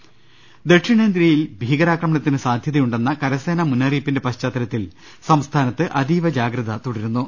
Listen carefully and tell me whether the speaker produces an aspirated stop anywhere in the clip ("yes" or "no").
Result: yes